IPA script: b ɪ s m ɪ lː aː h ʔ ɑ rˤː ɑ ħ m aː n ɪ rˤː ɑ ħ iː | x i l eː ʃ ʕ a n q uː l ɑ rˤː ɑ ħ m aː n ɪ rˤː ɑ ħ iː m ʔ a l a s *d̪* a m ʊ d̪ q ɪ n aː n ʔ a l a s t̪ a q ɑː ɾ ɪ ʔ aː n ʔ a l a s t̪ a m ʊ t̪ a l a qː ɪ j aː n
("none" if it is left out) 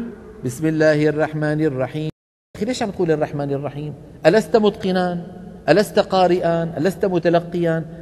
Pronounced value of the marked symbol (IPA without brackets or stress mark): t̪